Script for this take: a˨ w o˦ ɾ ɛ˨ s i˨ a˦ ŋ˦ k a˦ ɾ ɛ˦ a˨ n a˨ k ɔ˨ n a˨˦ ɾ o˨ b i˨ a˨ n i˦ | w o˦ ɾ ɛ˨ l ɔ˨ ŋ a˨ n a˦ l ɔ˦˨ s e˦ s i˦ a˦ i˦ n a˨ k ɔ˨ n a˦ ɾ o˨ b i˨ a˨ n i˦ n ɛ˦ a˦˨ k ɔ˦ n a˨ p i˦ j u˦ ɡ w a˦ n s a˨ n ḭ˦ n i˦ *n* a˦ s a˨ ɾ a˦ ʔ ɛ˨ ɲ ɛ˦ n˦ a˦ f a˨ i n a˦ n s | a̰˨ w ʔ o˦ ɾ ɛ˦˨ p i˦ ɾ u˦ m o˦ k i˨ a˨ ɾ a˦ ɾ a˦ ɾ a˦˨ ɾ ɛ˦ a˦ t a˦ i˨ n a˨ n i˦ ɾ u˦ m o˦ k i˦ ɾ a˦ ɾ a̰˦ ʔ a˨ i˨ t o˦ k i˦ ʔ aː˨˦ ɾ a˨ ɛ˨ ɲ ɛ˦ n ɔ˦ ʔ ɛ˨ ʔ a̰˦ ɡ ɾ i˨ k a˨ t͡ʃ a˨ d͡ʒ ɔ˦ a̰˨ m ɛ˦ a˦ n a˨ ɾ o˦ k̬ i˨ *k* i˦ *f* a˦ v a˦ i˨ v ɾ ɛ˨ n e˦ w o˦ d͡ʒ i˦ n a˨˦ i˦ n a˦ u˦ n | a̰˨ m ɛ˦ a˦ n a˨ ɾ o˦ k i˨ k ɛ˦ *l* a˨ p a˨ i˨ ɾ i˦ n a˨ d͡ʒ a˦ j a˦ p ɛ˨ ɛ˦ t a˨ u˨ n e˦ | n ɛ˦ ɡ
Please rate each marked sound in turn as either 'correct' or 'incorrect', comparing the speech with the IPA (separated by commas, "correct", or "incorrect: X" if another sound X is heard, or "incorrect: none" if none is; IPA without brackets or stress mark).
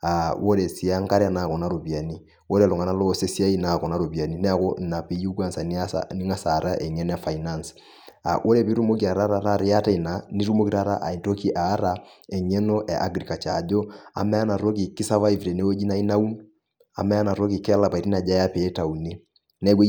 incorrect: ŋ, correct, incorrect: s, correct